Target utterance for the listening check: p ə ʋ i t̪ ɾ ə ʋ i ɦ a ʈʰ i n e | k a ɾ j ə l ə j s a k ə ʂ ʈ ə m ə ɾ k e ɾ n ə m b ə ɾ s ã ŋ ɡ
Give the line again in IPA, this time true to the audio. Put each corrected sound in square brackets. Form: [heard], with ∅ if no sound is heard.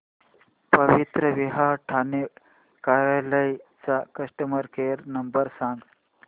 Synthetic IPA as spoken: p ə ʋ i t̪ ɾ ə ʋ i ɦ a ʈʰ [a] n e | k a ɾ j [a] l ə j [t͡s] a k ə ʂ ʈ ə m ə ɾ k e ɾ n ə m b ə ɾ s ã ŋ ɡ

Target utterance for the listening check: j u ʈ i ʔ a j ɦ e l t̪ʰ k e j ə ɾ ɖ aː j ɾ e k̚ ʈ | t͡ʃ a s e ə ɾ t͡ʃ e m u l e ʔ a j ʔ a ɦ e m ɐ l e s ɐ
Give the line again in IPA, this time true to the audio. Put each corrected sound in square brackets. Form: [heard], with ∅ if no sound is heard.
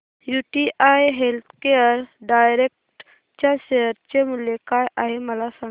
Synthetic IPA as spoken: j u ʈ i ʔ a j ɦ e l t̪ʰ k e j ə ɾ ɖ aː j ɾ e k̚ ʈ | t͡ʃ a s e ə ɾ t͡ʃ e m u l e [k] a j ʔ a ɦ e m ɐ l [a] s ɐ

